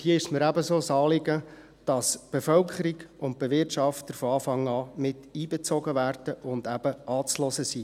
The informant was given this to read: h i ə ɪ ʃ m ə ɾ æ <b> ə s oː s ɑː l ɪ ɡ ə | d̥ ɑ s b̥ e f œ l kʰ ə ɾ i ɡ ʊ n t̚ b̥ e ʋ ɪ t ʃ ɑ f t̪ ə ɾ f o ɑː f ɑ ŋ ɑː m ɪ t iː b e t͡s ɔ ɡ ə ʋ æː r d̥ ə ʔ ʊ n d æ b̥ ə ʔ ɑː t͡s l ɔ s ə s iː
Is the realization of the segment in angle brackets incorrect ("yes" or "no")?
no